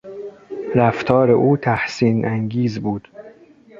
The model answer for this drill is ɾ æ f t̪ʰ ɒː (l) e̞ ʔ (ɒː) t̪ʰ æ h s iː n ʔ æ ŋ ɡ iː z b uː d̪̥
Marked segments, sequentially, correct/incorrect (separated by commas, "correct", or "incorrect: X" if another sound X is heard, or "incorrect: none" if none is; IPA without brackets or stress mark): incorrect: ɾ, incorrect: uː